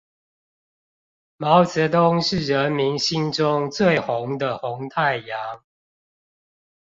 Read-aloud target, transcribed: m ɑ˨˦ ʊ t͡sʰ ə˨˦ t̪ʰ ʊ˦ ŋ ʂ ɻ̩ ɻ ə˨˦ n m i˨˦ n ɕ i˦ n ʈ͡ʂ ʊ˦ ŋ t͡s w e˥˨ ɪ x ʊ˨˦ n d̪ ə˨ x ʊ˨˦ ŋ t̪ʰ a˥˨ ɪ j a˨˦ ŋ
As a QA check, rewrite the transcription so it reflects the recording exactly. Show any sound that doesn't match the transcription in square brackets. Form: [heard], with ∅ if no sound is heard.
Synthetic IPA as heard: m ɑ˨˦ ʊ [t͡s] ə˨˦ [t̪] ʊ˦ ŋ ʂ ɻ̩ ɻ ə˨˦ n m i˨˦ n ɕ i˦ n ʈ͡ʂ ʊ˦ ŋ t͡s w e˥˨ ɪ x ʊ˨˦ [ŋ] d̪ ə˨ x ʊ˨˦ ŋ t̪ʰ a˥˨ ɪ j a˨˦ ŋ